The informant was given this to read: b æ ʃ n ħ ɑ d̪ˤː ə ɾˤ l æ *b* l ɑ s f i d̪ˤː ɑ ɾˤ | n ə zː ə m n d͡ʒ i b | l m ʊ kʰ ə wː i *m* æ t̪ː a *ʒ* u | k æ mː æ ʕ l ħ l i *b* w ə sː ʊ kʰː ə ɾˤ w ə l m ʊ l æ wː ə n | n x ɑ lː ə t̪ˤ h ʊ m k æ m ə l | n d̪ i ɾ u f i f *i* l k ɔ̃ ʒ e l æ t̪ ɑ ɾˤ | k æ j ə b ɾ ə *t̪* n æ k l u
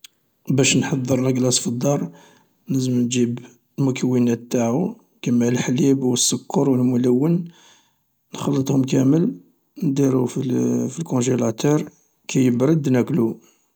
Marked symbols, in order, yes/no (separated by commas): no, no, no, yes, yes, no